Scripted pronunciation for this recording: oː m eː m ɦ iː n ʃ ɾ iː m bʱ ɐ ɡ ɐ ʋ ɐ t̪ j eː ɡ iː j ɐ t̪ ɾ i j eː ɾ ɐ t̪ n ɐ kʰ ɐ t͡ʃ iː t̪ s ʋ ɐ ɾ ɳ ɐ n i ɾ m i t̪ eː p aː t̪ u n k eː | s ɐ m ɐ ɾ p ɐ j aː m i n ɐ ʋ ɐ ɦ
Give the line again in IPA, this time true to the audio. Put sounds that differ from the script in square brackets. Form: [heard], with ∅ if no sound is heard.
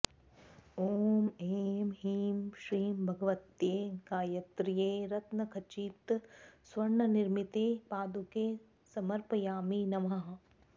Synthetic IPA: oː m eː m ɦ iː [m] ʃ ɾ iː m bʱ ɐ ɡ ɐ ʋ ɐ t̪ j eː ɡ [aː] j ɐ t̪ ɾ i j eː ɾ ɐ t̪ n ɐ kʰ ɐ t͡ʃ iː t̪ s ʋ ɐ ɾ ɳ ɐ n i ɾ m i t̪ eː p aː [d̪] u [∅] k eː | s ɐ m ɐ ɾ p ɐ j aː m i n ɐ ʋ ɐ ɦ

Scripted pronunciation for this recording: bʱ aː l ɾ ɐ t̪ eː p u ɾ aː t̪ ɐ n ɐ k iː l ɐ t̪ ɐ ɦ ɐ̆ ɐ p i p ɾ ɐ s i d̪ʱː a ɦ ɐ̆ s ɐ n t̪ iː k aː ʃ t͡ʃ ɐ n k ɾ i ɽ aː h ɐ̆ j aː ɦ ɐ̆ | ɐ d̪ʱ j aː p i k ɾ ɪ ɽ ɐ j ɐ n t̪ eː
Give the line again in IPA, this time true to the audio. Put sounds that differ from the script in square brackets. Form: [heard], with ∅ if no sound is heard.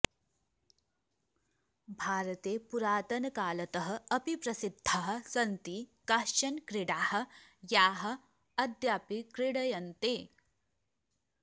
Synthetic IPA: bʱ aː [∅] ɾ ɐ t̪ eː p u ɾ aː t̪ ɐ n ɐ k [aː] l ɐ t̪ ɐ ɦ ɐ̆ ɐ p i p ɾ ɐ s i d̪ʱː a ɦ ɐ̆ s ɐ n t̪ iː k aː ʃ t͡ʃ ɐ n k ɾ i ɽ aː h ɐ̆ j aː ɦ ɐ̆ | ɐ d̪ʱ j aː p i k ɾ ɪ ɽ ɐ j ɐ n t̪ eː

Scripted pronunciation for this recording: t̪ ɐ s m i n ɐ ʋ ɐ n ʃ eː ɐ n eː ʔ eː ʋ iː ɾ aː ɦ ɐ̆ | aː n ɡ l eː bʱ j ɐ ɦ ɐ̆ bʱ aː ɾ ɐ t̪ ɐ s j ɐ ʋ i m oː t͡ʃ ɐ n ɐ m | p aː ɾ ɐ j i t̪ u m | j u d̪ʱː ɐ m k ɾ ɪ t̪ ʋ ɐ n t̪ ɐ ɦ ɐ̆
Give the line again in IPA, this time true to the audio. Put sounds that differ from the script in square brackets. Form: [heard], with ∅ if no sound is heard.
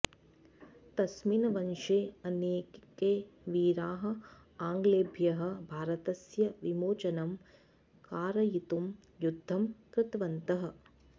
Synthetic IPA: t̪ ɐ s m i n ɐ ʋ ɐ n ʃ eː ɐ n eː [k] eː ʋ iː ɾ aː ɦ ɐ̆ | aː [ŋ] ɡ l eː bʱ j ɐ ɦ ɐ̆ bʱ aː ɾ ɐ t̪ ɐ s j ɐ ʋ i m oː t͡ʃ ɐ n ɐ m | [k] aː ɾ ɐ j i t̪ u m | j u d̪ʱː ɐ m k ɾ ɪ t̪ ʋ ɐ n t̪ ɐ ɦ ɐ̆

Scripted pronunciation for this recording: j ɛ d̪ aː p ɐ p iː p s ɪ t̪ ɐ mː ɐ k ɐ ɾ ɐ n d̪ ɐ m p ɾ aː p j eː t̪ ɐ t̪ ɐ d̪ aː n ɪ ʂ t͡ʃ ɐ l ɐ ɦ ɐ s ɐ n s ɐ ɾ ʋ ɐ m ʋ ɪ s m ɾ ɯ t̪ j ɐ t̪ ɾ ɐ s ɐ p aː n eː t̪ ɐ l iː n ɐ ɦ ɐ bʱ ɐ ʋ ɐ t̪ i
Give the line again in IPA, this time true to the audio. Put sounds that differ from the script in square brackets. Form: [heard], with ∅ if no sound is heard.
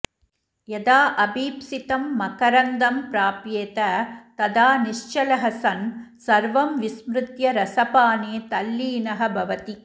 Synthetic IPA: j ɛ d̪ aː [ʔ] ɐ [b] iː p s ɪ t̪ ɐ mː ɐ k ɐ ɾ ɐ n d̪ ɐ m p ɾ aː p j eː t̪ ɐ t̪ ɐ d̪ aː n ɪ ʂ t͡ʃ ɐ l ɐ ɦ ɐ s ɐ n s ɐ ɾ ʋ ɐ m ʋ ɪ s m ɾ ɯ t̪ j ɐ [∅] ɾ ɐ s ɐ p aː n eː t̪ ɐ [lː] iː n ɐ ɦ ɐ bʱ ɐ ʋ ɐ t̪ i

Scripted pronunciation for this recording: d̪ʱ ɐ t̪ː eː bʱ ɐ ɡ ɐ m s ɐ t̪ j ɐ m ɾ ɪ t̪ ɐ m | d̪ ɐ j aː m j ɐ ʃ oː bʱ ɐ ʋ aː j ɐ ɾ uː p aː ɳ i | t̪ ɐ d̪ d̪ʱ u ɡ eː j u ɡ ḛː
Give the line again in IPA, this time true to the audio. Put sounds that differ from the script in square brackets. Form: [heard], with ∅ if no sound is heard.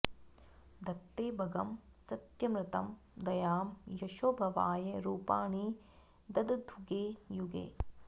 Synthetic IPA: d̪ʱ ɐ t̪ː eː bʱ ɐ ɡ ɐ m s ɐ t̪ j ɐ m ɾ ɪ t̪ ɐ m | d̪ ɐ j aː m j ɐ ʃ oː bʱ ɐ ʋ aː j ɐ ɾ uː p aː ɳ i | [d̪] ɐ d̪ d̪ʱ u ɡ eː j u ɡ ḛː

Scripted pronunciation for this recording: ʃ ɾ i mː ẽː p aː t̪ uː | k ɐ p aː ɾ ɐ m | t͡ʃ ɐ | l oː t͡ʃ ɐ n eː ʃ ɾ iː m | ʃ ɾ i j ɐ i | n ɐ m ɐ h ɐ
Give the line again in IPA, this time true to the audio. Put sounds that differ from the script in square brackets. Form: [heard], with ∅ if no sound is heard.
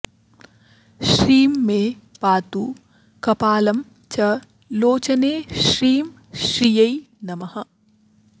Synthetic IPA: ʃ ɾ [iː] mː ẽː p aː t̪ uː | k ɐ p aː [l] ɐ m | t͡ʃ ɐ | l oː t͡ʃ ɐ n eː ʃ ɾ iː m | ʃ ɾ i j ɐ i | n ɐ m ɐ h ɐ

